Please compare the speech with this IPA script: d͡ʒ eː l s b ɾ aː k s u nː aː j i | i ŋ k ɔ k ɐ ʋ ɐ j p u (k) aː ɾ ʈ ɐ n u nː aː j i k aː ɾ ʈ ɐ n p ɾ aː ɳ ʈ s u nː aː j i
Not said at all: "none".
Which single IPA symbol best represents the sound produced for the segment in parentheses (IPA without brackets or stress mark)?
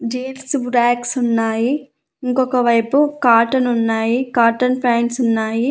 k